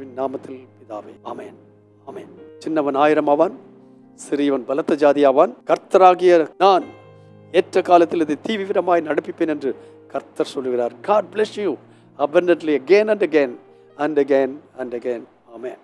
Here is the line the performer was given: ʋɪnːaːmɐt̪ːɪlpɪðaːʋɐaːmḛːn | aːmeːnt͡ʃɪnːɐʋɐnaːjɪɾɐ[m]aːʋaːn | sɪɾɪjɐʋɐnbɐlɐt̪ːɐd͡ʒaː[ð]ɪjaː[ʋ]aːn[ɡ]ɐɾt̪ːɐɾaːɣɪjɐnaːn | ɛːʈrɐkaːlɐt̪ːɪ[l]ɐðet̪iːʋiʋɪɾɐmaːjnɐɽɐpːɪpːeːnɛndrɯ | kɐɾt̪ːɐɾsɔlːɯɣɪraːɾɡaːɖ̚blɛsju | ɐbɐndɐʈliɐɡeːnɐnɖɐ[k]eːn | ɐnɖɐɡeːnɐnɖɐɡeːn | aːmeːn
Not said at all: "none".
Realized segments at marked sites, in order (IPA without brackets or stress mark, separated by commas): m, ð, ʋ, k, l, ɡ